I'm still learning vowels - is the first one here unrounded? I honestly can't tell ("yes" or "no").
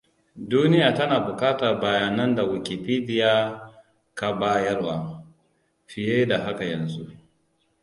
no